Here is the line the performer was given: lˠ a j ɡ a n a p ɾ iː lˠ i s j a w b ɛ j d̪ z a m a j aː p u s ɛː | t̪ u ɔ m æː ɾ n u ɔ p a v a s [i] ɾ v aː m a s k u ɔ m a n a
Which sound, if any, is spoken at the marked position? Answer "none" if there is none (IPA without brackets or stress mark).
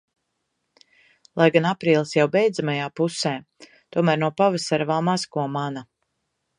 a